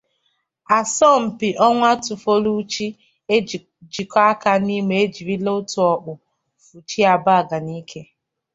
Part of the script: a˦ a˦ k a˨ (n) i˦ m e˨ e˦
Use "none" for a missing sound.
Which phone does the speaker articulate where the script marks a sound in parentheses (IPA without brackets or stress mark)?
n